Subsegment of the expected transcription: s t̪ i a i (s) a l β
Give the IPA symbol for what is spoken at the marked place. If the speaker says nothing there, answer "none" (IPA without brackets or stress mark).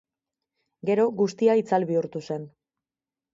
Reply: t͡s